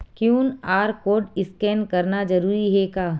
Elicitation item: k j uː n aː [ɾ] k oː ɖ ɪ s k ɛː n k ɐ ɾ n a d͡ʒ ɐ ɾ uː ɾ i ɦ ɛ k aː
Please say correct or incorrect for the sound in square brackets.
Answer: correct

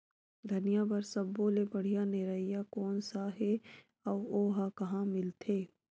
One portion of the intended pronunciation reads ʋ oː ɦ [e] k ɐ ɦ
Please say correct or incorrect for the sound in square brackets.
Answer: incorrect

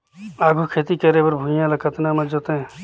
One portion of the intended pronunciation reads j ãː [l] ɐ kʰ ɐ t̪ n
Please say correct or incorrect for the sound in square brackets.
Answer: correct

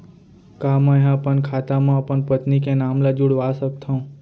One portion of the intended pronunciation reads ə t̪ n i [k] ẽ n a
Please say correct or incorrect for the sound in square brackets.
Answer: correct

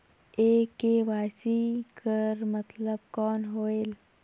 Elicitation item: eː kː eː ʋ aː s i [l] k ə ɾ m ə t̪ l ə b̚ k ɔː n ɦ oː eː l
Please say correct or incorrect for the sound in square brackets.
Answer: incorrect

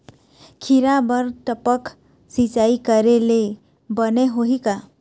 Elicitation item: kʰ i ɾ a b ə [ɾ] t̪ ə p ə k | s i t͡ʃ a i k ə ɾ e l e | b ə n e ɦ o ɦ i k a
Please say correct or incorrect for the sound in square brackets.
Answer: correct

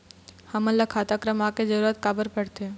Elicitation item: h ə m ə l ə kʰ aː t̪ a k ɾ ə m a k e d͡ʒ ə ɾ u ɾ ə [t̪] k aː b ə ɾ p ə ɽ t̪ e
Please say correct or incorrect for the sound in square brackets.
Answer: correct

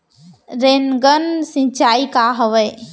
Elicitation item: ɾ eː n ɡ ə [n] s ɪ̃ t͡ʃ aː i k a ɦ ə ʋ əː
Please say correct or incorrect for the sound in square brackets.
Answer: correct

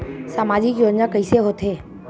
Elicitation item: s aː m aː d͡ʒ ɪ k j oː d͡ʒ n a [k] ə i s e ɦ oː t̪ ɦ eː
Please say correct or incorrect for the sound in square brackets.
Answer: correct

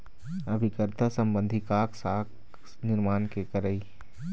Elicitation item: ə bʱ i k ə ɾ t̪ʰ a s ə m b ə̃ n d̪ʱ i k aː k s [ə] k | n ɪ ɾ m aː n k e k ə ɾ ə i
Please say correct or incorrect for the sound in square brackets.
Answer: incorrect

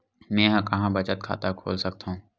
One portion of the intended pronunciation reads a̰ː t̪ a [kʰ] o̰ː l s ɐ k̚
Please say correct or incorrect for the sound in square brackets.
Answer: correct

